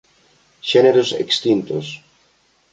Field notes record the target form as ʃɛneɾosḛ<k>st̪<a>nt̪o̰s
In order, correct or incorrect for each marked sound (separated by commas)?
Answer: correct, incorrect